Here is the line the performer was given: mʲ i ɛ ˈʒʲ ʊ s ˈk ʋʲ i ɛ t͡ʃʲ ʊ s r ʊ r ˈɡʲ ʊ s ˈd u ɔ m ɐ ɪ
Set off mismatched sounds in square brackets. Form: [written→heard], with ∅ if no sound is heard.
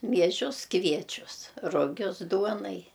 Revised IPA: mʲ i ɛ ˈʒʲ ʊ s ˈk ʋʲ i ɛ t͡ʃʲ ʊ s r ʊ [r→∅] ˈɡʲ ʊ s ˈd u ɔ [m→n] ɐ ɪ